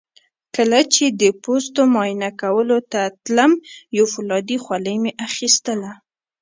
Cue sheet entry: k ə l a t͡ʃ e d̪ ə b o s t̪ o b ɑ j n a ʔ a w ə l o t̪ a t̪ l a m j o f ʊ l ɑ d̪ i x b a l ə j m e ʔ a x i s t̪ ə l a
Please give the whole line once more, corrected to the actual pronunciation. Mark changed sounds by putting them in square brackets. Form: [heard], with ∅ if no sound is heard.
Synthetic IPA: k ə l a t͡ʃ e d̪ ə [p] o s t̪ o [m] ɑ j n a [k] a w ə l o t̪ a t̪ l a m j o f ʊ l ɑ d̪ i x [w] a l ə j m e ʔ a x i s t̪ ə l a